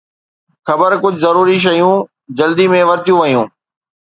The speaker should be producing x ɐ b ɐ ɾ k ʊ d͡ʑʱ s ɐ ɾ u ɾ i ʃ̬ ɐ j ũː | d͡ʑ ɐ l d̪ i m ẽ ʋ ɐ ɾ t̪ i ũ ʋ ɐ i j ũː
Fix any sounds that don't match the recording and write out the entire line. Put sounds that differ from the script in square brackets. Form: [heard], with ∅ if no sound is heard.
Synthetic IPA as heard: x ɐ b [ə] ɾ k ʊ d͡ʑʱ [z] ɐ ɾ [uː] ɾ i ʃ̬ ɐ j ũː | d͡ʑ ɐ l d̪ i m ẽ ʋ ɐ ɾ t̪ [j] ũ ʋ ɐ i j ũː